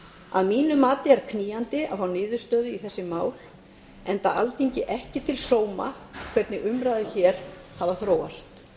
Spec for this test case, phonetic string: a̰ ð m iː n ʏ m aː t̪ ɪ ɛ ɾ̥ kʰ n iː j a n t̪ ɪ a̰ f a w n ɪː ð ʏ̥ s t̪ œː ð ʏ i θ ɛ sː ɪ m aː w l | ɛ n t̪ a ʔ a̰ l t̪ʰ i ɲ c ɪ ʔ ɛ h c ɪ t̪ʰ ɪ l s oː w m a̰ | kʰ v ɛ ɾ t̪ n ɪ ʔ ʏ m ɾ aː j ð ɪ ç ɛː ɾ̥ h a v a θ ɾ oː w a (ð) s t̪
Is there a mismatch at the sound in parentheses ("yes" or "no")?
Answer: yes